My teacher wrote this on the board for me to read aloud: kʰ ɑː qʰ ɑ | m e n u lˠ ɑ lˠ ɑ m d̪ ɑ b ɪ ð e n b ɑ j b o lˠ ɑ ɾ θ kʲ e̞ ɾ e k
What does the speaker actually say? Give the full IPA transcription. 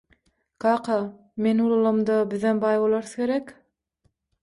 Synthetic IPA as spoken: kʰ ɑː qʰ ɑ | m e n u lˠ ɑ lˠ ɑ m d̪ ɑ b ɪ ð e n b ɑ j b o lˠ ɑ ɾ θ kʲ e̞ ɾ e k

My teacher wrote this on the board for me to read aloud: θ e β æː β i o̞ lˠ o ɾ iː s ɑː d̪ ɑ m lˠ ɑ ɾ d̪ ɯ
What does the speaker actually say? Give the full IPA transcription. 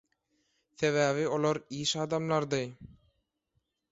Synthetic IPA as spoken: θ e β æː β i o̞ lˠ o ɾ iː ʃ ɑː d̪ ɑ m lˠ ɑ ɾ d̪ ɯ

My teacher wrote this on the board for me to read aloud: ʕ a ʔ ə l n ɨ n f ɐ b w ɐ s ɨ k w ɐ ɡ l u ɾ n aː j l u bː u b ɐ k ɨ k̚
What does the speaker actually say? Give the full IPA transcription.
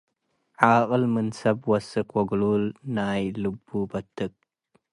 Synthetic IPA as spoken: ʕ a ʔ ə l m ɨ n s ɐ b w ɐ s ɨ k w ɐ ɡ l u l n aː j l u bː u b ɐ t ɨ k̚

